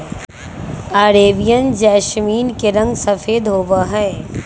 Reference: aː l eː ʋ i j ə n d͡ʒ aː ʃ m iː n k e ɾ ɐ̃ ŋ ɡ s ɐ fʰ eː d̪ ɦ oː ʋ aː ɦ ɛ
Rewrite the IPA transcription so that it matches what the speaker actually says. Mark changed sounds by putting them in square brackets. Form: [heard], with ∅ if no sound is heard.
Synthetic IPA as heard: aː [ɾ] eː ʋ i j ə n d͡ʒ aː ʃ m iː n k e ɾ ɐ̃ ŋ ɡ s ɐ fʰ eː d̪ ɦ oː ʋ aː ɦ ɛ

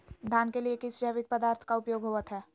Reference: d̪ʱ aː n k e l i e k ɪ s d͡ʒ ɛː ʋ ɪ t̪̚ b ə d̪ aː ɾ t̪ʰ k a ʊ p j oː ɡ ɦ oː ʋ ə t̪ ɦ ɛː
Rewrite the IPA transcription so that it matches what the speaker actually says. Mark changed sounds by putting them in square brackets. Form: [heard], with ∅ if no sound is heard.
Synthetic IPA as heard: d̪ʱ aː n k e l i e k ɪ s d͡ʒ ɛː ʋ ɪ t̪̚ [p] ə d̪ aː ɾ t̪ʰ k a ʊ p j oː ɡ ɦ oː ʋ ə t̪ ɦ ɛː

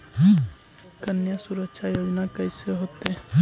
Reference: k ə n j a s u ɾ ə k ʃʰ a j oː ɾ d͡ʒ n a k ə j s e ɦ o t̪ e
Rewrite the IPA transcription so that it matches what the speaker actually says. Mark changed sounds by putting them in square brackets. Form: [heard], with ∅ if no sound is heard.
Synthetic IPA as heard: k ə n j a s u ɾ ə k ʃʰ a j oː [∅] d͡ʒ n a k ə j s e ɦ o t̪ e

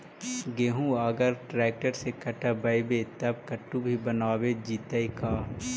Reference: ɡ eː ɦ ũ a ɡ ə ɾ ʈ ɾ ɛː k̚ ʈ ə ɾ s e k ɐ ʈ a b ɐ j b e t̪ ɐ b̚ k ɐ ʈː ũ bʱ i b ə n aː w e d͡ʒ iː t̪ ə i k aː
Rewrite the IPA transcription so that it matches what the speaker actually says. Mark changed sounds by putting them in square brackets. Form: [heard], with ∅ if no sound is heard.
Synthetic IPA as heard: ɡ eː ɦ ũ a ɡ ə ɾ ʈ ɾ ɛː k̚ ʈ ə ɾ s e k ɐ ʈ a b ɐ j b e t̪ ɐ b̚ k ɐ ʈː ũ bʱ i b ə n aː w e d͡ʒ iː t̪ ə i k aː

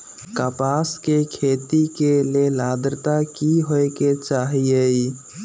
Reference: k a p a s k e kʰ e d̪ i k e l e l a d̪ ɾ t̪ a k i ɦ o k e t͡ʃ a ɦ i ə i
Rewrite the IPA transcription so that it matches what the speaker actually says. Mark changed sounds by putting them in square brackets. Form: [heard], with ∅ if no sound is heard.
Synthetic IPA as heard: k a p a s k e kʰ e [t̪] i k e l e l a d̪ ɾ t̪ a k i ɦ o k e t͡ʃ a ɦ i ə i

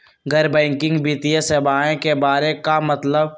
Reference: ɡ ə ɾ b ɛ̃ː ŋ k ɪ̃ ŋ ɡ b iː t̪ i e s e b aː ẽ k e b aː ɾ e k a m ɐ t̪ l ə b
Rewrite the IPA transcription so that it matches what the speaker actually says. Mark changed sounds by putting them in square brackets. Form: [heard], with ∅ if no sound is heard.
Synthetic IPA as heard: ɡ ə ɾ b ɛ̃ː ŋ k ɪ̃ ŋ ɡ b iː t̪ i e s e b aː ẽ k e b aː ɾ e k a m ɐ t̪ l ə b

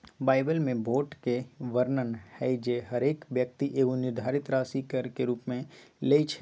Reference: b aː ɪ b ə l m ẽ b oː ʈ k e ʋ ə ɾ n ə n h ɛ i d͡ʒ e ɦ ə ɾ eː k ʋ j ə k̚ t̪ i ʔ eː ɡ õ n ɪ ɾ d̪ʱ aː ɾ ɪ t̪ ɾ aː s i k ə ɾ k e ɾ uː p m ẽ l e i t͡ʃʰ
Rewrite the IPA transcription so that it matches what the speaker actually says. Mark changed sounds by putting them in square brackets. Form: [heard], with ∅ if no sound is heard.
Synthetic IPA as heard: b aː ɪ b ə l m ẽ b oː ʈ k e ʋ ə ɾ n ə n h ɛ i d͡ʒ e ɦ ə ɾ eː k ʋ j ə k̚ t̪ i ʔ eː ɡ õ n ɪ ɾ d̪ʱ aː ɾ ɪ t̪ ɾ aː s i k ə ɾ k e ɾ uː p m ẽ l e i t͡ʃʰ

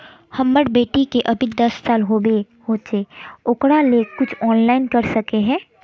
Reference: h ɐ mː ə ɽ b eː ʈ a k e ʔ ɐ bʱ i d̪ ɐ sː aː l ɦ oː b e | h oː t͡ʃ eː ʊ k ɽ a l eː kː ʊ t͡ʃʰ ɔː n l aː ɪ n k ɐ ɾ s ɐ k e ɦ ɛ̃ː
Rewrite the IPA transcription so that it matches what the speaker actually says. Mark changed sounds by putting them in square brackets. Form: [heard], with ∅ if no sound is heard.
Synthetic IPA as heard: h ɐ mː ə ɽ b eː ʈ [i] k e ʔ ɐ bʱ i d̪ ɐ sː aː l ɦ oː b e | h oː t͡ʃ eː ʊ k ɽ a l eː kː ʊ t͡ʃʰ ɔː n l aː ɪ n k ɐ ɾ s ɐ k e ɦ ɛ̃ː

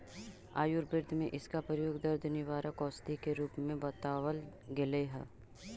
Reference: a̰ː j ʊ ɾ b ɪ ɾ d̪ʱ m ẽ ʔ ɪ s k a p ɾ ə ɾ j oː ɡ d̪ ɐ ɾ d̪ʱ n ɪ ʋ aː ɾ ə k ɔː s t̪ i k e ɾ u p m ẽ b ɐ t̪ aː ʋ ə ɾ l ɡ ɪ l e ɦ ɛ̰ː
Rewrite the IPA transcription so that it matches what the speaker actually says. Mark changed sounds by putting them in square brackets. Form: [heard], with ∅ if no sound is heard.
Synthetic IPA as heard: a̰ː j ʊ ɾ b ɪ ɾ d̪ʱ m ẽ ʔ ɪ s k a p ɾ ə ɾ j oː ɡ d̪ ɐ ɾ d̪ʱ n ɪ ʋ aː ɾ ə k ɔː s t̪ i k e ɾ [uː] p m ẽ b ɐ t̪ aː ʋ ə [∅] l ɡ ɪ l e ɦ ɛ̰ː

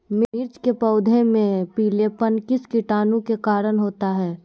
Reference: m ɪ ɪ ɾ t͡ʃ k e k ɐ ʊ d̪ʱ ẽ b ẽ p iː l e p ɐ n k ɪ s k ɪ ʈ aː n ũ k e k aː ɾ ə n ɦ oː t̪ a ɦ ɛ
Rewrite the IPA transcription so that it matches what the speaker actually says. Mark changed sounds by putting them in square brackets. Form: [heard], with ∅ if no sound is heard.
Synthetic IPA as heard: m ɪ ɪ ɾ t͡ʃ k e [p] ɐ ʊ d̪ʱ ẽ [m] ẽ p iː l e p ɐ n k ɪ s k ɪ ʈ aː n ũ k e k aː ɾ ə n ɦ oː t̪ a ɦ [ɛː]

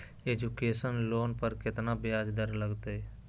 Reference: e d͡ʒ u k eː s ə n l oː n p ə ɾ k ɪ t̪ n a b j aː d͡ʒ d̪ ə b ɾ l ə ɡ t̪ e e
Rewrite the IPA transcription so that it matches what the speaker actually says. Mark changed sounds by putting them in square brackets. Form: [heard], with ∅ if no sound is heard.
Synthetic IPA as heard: e d͡ʒ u k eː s ə n l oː n p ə ɾ k ɪ t̪ n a b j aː d͡ʒ d̪ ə [∅] ɾ l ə ɡ t̪ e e

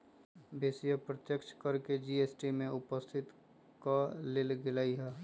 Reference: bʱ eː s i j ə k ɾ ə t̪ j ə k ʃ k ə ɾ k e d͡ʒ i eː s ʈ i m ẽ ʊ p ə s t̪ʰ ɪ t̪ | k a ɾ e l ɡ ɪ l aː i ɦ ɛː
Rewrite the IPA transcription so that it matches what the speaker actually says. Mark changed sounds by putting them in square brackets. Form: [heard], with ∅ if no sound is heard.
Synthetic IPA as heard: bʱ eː s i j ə [p] ɾ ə t̪ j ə k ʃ k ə ɾ k e d͡ʒ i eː s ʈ i m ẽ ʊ p ə s t̪ʰ ɪ t̪ | k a [l] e l ɡ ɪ l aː i ɦ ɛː

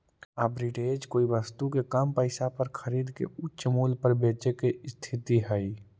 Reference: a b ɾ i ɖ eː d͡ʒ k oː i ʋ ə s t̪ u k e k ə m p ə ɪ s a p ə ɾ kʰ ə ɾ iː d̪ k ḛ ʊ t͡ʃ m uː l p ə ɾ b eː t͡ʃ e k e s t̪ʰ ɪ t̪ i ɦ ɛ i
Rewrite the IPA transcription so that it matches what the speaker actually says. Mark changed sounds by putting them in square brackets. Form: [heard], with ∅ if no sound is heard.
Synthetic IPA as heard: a b ɾ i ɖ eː d͡ʒ k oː i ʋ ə s t̪ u k e k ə m p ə ɪ s a p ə ɾ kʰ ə ɾ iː d̪ k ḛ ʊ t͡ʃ m uː l p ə ɾ b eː t͡ʃ e k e s t̪ʰ ɪ t̪ i ɦ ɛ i

